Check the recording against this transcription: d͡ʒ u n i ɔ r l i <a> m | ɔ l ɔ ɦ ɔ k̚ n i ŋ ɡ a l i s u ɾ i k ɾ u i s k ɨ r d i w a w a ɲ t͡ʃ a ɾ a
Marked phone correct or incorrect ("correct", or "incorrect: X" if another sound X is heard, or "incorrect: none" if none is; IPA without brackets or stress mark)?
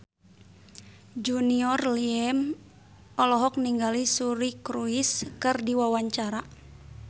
incorrect: ɛ